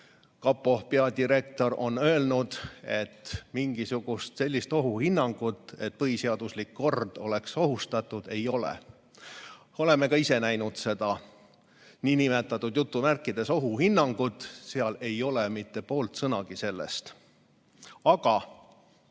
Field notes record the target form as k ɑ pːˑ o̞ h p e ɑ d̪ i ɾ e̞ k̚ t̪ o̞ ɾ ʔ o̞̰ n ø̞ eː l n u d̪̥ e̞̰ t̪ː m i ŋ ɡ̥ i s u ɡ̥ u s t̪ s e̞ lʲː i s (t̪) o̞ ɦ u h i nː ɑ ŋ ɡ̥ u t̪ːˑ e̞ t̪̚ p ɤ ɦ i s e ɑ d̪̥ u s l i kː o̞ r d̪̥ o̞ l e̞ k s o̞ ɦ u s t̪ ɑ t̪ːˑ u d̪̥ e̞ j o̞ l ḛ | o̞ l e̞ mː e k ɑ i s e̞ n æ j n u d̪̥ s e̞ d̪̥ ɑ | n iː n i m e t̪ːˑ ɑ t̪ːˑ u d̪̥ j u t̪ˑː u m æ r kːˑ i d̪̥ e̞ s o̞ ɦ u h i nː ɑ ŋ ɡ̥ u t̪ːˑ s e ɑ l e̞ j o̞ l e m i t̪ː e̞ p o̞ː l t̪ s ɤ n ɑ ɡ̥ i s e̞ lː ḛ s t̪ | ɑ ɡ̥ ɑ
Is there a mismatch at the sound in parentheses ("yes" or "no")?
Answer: no